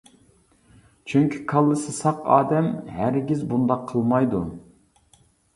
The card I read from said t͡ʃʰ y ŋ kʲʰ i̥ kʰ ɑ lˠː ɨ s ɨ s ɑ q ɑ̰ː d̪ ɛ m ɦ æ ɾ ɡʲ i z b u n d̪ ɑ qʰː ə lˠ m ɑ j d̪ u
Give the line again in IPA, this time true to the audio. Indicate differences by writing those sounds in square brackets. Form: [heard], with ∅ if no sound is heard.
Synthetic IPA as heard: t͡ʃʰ y ŋ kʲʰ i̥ kʰ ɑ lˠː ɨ s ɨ s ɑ q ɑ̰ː d̪ ɛ m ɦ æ ɾ ɡʲ i z b u n d̪ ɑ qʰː ə lˠ m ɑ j d̪ u